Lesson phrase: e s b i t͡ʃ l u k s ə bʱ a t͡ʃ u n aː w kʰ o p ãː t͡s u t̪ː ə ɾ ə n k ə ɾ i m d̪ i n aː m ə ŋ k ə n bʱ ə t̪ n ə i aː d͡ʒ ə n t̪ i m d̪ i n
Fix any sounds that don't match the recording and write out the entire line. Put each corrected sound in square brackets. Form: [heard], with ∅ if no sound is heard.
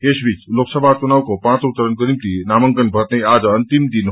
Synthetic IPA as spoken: e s b i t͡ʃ l [o] k s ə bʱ a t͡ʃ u n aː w [k] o p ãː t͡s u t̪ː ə ɾ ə n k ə ɾ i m [t̪] i n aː m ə ŋ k ə n bʱ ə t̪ n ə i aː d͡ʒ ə n t̪ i m d̪ i n